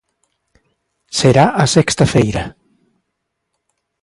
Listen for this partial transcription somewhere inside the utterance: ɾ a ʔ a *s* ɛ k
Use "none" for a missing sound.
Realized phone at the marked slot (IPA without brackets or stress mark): s